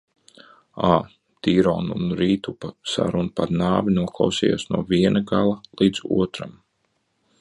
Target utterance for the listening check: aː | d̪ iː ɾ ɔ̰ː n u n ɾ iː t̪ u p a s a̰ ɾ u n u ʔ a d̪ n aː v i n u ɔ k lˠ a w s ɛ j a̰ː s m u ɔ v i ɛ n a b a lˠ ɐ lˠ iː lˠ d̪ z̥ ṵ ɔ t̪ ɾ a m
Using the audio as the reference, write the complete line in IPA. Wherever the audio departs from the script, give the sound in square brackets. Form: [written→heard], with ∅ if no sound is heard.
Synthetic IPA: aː | [d̪→t̪] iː ɾ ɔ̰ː n u n ɾ iː t̪ u p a s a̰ ɾ u n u [ʔ→p] a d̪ n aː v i n u ɔ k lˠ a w s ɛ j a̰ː s [m→n] u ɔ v i ɛ n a [b→ɡ] a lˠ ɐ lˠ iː [lˠ→∅] d̪ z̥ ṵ ɔ t̪ ɾ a m